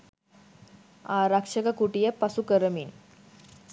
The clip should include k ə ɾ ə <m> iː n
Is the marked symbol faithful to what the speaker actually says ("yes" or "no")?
yes